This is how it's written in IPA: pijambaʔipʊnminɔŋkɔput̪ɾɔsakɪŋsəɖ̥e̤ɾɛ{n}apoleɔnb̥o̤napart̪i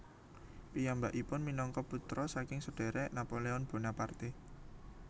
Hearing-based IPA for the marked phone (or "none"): n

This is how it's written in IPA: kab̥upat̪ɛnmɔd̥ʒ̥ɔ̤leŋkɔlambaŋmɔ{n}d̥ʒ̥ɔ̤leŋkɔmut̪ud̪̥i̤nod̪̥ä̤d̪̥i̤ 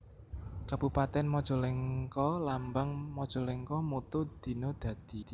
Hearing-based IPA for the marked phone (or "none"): none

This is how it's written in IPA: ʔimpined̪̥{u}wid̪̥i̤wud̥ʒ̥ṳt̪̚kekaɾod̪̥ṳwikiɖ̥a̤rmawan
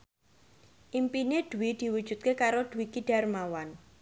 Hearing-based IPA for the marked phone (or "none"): u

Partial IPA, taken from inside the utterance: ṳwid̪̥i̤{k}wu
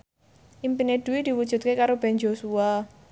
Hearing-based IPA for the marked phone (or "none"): none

